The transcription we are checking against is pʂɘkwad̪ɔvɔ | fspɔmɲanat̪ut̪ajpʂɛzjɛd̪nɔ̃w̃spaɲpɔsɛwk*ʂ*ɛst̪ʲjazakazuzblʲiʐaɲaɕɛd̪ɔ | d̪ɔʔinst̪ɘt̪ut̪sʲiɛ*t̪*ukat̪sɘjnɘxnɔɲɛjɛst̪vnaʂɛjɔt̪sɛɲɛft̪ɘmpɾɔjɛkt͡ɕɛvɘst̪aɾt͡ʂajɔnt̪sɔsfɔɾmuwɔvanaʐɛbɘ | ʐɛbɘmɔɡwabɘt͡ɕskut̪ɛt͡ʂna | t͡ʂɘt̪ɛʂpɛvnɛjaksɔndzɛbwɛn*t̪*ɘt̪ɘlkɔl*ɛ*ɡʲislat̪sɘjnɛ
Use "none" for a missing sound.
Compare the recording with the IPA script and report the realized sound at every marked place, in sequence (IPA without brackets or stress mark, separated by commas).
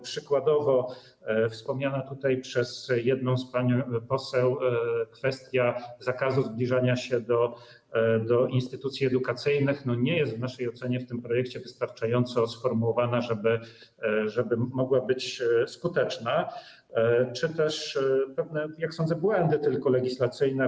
f, d̪, d̪, ɛ